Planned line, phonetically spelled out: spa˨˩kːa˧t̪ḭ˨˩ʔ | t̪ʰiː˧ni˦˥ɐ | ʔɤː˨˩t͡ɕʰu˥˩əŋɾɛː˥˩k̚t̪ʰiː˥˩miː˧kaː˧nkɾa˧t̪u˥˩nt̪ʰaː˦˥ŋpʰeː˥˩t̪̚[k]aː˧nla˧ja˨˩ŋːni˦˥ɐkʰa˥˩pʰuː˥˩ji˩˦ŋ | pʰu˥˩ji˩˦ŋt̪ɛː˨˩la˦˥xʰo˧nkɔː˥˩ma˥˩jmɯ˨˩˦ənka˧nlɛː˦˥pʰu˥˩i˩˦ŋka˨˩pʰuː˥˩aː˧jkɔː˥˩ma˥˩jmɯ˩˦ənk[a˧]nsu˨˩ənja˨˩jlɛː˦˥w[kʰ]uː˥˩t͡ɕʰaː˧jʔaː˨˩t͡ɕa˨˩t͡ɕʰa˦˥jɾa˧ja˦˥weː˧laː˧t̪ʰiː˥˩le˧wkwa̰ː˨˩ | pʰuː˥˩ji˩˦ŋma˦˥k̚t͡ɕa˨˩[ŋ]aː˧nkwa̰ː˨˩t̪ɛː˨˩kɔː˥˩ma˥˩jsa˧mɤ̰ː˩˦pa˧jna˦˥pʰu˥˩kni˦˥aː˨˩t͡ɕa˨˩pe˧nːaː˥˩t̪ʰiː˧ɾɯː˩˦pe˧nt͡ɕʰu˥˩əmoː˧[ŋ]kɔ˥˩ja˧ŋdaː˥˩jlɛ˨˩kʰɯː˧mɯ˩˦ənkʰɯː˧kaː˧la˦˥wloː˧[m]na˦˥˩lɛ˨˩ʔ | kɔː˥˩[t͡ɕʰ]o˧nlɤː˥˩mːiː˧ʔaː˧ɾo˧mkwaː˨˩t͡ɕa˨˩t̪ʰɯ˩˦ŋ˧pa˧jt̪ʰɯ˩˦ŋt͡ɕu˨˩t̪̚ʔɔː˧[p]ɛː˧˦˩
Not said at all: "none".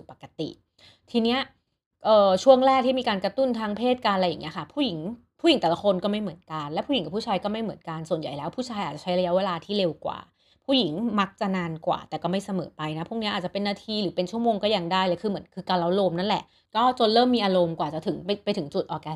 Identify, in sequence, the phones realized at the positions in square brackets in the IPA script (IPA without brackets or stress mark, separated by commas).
k, a˧, pʰ, n, ŋ, m, t͡ɕ, k